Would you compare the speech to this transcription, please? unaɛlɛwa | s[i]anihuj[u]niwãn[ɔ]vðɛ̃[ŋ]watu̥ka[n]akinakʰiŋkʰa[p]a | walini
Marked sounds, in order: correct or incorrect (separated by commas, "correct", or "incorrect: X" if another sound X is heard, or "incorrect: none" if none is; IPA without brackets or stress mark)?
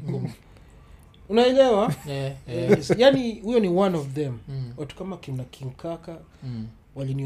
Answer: incorrect: j, incorrect: ɔ, correct, incorrect: m, incorrect: m, incorrect: k